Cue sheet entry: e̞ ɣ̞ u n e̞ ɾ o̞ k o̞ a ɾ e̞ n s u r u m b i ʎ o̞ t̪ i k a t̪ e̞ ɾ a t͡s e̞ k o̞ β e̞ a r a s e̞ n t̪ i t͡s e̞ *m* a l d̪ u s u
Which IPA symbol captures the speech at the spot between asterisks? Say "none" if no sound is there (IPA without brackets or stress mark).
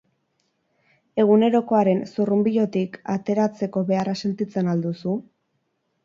n